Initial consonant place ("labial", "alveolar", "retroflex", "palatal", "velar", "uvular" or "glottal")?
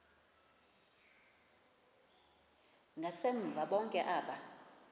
velar